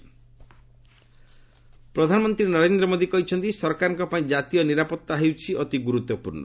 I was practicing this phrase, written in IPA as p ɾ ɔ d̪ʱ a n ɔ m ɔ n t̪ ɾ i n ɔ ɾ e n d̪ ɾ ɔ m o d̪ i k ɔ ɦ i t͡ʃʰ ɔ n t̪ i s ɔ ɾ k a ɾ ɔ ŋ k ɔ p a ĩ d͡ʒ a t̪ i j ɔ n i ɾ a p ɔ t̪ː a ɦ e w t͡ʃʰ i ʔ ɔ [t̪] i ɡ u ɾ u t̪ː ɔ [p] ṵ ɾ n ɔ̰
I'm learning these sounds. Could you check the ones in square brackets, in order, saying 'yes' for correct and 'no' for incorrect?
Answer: yes, yes

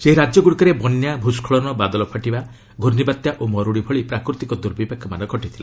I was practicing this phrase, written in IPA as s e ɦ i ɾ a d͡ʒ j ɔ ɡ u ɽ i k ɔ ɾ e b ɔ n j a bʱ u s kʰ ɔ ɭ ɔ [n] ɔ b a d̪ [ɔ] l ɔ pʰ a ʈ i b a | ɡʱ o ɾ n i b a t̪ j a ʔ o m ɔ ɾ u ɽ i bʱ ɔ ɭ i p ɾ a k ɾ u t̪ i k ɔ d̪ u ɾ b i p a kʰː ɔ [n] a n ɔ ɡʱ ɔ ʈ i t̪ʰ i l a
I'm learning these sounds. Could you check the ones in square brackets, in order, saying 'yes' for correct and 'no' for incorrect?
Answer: yes, yes, no

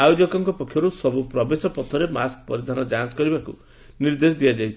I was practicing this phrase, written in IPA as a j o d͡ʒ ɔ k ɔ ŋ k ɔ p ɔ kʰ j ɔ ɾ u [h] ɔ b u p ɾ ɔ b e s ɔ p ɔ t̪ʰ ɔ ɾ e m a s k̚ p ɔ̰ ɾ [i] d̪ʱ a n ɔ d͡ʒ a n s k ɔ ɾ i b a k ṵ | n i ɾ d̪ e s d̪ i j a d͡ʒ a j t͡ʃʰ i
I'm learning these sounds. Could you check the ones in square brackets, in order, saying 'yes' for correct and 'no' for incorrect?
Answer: no, yes

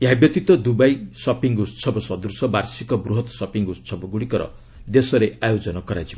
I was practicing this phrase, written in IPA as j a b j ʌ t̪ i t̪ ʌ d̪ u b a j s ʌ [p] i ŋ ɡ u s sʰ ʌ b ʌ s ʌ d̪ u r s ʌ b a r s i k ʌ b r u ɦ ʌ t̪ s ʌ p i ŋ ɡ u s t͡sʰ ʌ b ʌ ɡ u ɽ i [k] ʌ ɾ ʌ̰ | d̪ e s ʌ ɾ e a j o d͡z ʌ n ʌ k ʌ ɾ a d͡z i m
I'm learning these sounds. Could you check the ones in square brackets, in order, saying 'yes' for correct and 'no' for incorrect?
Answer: yes, yes

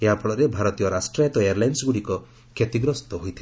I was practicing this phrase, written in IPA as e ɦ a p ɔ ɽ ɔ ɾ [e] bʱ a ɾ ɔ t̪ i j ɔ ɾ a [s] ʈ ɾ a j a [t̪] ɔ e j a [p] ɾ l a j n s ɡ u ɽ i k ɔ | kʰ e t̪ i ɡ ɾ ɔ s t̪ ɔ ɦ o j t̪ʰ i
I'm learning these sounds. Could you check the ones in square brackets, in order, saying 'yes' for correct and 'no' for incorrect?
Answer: yes, yes, yes, no

